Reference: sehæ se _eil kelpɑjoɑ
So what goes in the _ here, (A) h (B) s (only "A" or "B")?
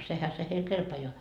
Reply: A